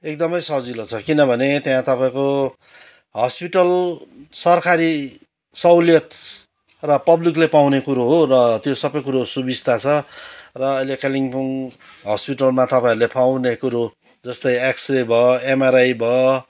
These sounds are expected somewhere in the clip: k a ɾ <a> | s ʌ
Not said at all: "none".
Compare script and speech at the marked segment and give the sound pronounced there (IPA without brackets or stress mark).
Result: i